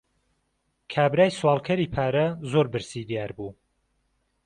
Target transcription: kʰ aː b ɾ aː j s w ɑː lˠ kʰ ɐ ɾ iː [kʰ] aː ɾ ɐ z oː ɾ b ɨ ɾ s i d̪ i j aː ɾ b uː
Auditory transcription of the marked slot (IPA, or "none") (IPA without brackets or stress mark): pʰ